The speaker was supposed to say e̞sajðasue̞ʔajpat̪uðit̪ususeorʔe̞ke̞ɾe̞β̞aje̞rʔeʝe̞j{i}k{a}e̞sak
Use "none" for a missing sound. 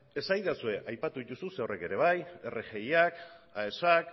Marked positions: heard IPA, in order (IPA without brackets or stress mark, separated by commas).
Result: a, a